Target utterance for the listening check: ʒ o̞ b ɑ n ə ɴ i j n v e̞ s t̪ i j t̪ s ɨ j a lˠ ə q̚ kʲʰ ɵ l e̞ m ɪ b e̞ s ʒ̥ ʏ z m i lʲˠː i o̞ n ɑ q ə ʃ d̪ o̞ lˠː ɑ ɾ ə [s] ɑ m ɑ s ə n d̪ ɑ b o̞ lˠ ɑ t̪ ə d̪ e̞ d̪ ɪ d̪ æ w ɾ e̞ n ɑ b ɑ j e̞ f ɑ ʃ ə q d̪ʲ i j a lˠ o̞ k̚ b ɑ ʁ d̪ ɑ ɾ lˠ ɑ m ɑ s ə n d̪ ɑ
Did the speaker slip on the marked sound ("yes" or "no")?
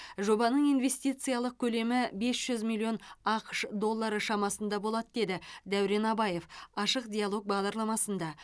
yes